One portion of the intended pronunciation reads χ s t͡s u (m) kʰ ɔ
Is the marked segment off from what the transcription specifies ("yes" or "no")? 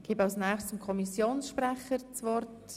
no